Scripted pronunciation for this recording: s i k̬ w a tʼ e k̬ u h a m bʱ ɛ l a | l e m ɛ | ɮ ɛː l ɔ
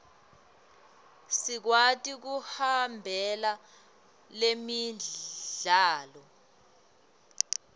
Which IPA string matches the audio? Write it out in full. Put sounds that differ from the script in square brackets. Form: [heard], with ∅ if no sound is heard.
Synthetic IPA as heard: s i k̬ w a tʼ [i] k̬ u h a m bʱ ɛ l a | l e m [i] | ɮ [aː] l ɔ